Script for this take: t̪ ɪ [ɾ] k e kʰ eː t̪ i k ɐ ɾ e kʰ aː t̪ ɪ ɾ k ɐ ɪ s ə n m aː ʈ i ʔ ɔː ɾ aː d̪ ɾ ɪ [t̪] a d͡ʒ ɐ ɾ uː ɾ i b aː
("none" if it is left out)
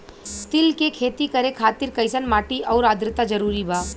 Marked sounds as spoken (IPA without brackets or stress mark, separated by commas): l, t̪